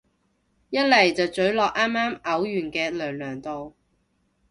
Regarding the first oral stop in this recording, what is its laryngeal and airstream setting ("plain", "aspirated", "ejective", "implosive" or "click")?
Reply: plain